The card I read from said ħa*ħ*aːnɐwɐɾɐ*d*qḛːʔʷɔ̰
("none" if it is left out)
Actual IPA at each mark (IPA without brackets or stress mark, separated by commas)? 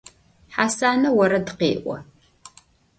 s, d